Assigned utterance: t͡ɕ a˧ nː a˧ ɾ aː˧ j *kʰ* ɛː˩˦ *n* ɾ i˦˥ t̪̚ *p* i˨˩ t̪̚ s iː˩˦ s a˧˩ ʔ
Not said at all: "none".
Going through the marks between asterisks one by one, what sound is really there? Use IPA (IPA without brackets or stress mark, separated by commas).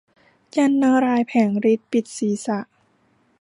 pʰ, ŋ, p